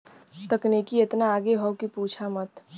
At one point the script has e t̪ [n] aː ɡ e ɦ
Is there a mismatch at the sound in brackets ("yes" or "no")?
no